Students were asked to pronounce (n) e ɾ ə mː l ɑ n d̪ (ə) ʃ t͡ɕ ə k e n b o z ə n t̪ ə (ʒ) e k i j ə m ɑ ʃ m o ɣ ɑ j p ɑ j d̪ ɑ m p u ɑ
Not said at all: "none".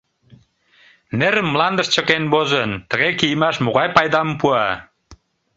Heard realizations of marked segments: n, ə, ɣ

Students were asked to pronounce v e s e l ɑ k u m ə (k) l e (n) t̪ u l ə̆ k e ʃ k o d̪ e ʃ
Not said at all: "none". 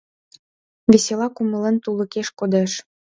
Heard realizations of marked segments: none, n

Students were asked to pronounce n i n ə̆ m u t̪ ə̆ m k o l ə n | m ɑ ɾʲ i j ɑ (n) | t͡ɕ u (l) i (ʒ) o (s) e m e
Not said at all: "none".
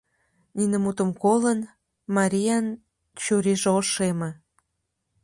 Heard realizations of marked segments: n, ɾ, ʒ, ʃ

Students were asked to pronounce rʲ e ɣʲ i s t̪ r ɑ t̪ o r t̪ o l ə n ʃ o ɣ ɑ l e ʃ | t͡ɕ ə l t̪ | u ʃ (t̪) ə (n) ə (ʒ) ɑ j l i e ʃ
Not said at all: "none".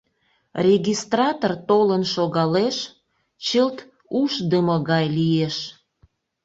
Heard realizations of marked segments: d̪, m, ɣ

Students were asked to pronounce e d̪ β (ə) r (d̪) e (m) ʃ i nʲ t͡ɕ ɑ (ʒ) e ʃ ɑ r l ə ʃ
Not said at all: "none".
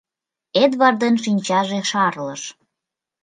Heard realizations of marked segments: ɑ, d̪, n, ʒ

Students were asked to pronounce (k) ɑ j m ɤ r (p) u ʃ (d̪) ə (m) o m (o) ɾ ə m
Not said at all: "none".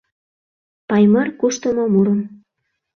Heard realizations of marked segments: p, k, t̪, m, u

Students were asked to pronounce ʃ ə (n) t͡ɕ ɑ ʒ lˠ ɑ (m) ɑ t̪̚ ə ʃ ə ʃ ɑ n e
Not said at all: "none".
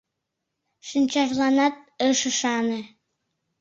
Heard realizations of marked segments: n, n

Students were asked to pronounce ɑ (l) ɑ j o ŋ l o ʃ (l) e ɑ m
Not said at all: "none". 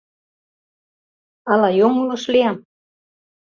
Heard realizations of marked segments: l, l

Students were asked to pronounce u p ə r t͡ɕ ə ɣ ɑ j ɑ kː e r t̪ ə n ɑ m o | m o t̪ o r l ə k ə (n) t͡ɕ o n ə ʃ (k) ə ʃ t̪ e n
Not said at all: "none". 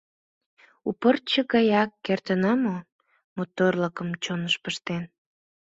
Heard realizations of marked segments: m, p

